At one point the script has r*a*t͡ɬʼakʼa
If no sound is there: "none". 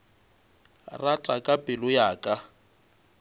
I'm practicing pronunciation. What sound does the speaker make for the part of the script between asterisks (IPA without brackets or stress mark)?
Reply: a